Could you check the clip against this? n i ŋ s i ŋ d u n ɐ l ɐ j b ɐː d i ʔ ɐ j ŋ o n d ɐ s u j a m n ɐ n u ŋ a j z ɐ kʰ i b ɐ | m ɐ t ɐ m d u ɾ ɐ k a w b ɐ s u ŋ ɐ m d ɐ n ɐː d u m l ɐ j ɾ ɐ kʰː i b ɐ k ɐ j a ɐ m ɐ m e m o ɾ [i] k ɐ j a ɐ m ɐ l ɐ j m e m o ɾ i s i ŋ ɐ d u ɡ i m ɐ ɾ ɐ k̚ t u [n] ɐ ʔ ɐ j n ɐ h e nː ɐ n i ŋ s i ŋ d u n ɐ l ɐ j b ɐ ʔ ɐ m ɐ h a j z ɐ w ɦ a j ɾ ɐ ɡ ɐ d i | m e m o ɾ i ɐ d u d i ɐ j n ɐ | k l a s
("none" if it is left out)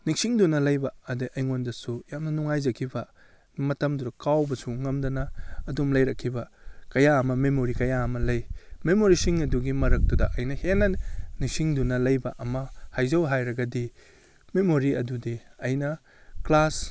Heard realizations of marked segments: i, d

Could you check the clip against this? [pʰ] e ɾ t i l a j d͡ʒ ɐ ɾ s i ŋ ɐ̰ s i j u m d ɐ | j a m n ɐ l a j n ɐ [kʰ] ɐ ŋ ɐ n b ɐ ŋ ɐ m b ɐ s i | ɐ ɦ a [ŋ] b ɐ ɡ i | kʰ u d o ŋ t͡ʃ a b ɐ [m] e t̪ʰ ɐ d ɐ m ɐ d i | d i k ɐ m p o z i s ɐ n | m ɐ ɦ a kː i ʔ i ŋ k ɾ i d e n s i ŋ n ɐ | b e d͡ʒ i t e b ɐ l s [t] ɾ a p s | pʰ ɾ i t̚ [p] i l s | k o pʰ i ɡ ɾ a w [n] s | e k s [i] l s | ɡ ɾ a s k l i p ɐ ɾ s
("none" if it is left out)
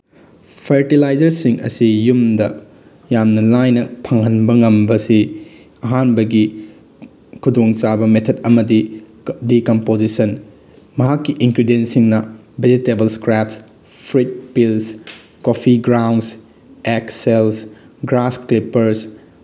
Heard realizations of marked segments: pʰ, pʰ, n, m, k, p, n, e

